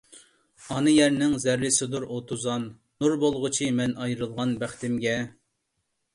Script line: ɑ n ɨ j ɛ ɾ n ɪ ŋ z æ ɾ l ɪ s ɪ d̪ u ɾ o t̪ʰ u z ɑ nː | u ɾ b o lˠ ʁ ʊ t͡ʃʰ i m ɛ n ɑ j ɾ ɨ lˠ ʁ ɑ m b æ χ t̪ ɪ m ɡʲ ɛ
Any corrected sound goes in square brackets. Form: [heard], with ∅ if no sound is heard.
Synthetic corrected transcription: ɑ n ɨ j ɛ ɾ n ɪ ŋ z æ ɾ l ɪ s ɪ d̪ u ɾ o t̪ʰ u z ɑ nː | u ɾ b o lˠ ʁ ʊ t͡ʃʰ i m ɛ n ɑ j ɾ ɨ lˠ ʁ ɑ [n] b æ χ t̪ ɪ m ɡʲ ɛ